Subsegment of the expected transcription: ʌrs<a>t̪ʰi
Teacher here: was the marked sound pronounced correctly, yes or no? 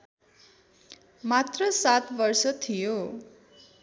no